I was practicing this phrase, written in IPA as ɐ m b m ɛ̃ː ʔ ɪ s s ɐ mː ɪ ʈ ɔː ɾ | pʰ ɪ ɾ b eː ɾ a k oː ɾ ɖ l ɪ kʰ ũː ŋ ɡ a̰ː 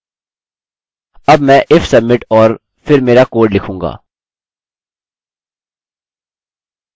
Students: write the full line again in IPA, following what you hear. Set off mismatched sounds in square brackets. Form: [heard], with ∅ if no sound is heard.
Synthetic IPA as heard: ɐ [∅] b m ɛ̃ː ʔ ɪ [f] s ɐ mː ɪ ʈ ɔː ɾ | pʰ ɪ ɾ [m] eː ɾ a k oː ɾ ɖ l ɪ kʰ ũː ŋ ɡ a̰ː